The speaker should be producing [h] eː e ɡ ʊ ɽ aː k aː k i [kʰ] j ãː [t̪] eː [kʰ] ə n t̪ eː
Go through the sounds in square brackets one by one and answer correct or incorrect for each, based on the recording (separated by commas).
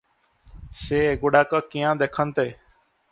incorrect, incorrect, incorrect, correct